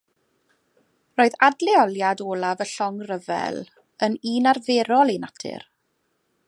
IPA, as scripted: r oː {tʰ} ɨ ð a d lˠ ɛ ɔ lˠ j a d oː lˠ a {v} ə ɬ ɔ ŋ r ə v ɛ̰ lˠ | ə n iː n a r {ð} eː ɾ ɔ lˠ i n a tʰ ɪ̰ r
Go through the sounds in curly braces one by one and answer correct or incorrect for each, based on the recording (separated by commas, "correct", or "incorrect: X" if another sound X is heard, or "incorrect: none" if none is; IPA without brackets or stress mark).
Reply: incorrect: none, correct, incorrect: v